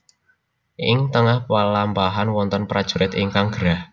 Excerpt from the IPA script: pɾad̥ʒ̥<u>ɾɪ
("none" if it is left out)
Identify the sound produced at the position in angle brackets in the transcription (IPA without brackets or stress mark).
u